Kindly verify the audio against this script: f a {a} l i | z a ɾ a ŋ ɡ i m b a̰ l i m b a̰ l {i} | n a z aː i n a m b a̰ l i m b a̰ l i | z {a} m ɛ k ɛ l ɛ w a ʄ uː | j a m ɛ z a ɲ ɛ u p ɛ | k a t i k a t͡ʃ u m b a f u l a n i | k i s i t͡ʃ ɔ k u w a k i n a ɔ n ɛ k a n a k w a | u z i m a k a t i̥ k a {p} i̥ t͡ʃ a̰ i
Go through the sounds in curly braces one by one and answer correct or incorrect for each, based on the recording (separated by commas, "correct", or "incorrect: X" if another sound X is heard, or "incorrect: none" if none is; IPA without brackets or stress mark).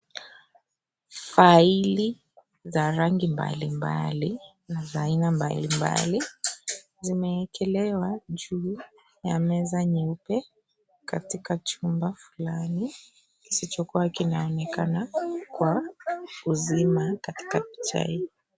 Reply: incorrect: i, correct, incorrect: i, correct